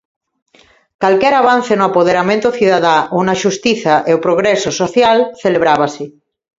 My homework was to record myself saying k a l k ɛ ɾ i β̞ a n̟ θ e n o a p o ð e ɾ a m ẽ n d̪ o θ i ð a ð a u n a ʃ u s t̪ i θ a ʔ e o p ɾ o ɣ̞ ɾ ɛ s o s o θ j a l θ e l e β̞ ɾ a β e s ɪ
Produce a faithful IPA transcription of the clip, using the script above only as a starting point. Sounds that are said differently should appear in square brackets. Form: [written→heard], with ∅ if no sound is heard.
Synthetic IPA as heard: k a l k ɛ ɾ [i→a] β̞ a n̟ θ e n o a p o ð e ɾ a m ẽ n [d̪→t̪] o θ i ð a ð a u n a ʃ u s t̪ i θ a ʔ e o p ɾ o ɣ̞ ɾ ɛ s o s o θ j a l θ e l e β̞ ɾ a β [e→a] s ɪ